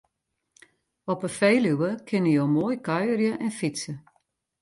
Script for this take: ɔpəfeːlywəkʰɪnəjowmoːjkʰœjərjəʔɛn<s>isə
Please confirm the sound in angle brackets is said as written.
no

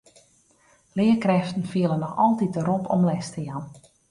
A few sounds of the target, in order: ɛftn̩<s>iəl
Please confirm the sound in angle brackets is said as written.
no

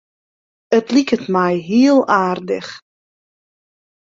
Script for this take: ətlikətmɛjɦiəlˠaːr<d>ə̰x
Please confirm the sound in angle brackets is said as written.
yes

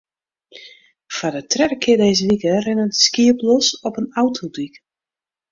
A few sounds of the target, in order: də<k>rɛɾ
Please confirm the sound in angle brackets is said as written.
no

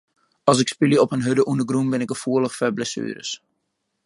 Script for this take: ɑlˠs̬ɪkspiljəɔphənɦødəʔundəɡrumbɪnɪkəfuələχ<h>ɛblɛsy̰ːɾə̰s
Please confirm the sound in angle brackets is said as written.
no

